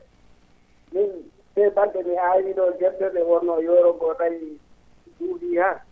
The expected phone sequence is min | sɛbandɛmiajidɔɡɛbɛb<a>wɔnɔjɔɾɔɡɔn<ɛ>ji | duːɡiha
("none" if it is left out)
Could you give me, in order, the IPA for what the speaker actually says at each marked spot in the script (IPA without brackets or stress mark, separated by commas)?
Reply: ɛ, a